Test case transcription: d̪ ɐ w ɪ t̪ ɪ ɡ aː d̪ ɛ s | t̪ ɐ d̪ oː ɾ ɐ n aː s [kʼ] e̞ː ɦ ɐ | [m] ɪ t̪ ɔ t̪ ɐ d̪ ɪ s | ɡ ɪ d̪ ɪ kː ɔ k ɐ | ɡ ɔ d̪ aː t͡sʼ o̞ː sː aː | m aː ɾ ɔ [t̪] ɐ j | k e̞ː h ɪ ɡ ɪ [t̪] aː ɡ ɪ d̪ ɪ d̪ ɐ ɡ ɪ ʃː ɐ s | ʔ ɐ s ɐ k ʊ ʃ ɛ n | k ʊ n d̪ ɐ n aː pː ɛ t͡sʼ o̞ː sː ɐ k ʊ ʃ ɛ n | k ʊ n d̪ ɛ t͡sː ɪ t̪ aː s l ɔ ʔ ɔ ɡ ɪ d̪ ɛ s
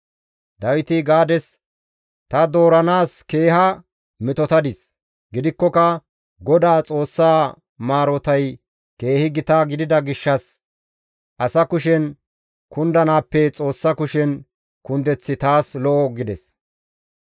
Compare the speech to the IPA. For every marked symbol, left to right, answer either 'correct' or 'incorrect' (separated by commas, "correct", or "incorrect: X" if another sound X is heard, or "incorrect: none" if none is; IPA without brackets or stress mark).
incorrect: k, correct, correct, correct